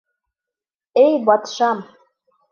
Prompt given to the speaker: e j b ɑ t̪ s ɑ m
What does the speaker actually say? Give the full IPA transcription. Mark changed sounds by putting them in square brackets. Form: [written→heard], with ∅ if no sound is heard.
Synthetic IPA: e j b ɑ t̪ [s→ʃ] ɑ m